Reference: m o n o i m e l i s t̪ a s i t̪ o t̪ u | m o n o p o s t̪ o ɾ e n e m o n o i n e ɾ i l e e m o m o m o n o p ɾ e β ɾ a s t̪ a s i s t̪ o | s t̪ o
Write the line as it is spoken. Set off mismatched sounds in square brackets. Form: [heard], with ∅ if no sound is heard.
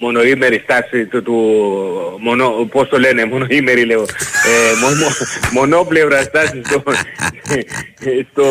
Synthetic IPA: m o n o i m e [ɾ] i s t̪ a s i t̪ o t̪ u | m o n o p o s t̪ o [l] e n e m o n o i [m] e ɾ i l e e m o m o m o n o p [l] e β ɾ a s t̪ a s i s t̪ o | s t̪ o